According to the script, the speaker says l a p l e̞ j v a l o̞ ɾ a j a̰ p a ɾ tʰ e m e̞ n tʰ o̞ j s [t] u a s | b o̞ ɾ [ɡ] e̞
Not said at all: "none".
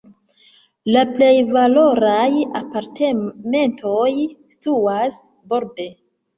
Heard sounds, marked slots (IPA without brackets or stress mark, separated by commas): t, d